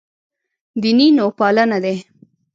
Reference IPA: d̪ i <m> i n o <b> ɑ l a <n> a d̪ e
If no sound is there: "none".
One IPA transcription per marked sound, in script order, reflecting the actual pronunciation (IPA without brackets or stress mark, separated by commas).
n, p, n